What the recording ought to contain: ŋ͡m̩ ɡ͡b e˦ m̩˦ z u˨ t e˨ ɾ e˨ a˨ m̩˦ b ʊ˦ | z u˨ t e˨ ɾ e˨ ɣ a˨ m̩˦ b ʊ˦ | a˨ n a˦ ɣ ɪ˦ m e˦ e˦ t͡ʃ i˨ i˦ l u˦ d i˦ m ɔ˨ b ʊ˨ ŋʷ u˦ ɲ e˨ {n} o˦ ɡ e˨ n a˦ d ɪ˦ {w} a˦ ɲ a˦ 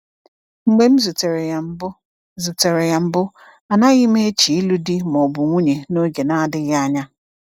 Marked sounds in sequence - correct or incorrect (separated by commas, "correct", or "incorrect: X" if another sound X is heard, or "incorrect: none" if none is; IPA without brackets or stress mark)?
correct, incorrect: ɣ